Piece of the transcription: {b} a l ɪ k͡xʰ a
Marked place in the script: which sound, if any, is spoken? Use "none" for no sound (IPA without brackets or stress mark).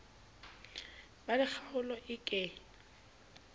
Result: b